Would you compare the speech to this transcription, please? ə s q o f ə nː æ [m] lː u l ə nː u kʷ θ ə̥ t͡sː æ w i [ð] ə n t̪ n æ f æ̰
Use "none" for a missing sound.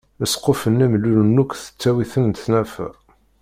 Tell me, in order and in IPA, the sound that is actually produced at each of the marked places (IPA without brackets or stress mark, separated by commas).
m, θ